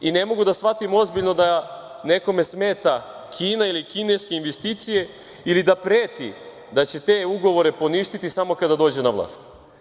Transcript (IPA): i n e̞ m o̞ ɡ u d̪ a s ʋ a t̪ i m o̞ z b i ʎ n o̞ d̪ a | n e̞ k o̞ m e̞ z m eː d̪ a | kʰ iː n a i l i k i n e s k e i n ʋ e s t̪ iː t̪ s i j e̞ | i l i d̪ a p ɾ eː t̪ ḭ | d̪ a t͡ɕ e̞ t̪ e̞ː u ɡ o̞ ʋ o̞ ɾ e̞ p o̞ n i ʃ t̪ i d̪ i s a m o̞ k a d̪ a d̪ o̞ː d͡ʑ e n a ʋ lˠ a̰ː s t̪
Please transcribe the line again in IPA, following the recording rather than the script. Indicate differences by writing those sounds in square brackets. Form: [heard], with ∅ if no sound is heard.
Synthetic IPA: i n e̞ m o̞ ɡ u d̪ a s ʋ a t̪ i m o̞ z b i ʎ n o̞ d̪ a | n e̞ k o̞ m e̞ [s] m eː [t̪] a | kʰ iː n a i l i k i n e s k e i n ʋ e s t̪ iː t̪ s i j e̞ | i l i d̪ a p ɾ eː t̪ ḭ | d̪ a t͡ɕ e̞ t̪ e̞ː u ɡ o̞ ʋ o̞ ɾ e̞ p o̞ n i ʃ t̪ i [t̪] i s a m o̞ k a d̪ a d̪ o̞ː d͡ʑ e n a ʋ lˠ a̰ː s t̪